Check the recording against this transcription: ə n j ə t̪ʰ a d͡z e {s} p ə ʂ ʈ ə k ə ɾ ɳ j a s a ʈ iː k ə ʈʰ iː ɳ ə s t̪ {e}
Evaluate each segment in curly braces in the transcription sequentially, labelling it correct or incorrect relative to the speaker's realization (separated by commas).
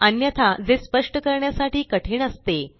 correct, correct